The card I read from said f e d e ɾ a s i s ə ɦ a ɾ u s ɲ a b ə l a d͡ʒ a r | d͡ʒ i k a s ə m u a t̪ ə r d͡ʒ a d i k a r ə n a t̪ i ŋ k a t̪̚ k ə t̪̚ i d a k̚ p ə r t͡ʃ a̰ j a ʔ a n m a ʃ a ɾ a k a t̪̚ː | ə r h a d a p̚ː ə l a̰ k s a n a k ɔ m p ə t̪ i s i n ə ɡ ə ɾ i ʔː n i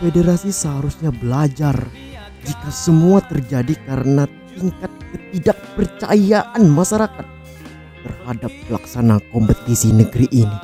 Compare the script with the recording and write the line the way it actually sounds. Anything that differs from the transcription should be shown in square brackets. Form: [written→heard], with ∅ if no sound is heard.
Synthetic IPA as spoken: f e d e ɾ a s i s ə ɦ a ɾ u s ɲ a b ə l a d͡ʒ a r | d͡ʒ i k a s ə m u a t̪ ə r d͡ʒ a d i k a [r→ɾ] ə n a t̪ i ŋ k a t̪̚ k ə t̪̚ i d a k̚ p ə r t͡ʃ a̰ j a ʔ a n m a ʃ a ɾ a k a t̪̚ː | ə r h a d a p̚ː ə l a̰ k s a n a k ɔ m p ə t̪ i s i n ə ɡ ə ɾ i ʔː n i